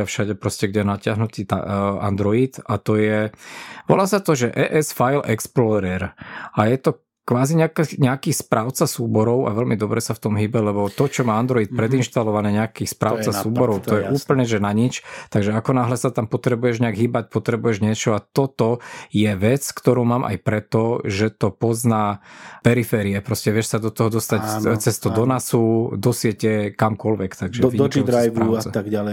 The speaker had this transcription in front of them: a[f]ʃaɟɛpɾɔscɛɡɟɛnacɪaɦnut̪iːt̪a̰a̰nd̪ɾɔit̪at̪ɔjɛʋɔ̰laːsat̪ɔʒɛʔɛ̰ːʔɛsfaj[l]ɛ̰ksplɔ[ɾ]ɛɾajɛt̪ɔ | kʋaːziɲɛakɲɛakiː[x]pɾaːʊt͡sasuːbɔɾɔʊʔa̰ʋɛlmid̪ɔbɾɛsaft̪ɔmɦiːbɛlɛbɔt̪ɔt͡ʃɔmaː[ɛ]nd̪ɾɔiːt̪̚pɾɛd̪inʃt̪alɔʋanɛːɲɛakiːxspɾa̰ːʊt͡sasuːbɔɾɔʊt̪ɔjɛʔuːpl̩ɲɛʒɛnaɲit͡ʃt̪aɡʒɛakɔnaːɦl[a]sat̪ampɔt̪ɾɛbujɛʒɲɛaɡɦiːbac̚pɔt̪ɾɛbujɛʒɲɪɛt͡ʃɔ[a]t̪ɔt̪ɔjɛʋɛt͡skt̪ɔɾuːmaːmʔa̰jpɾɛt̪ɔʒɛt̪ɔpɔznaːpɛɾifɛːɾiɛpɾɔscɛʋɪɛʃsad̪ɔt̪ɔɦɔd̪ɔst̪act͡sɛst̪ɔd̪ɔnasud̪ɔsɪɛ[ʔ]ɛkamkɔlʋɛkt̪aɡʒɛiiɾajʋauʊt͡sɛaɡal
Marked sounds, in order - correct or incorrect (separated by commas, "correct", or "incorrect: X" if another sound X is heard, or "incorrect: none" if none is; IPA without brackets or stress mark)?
correct, correct, correct, incorrect: s, incorrect: a, incorrect: ɛ, correct, incorrect: c